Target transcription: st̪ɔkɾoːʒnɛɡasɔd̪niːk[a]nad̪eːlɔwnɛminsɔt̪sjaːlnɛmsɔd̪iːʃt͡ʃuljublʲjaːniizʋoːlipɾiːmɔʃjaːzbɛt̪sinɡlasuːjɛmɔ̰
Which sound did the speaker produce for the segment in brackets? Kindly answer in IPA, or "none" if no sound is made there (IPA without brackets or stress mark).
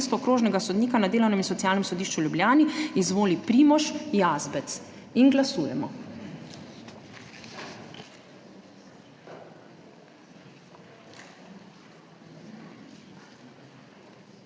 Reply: a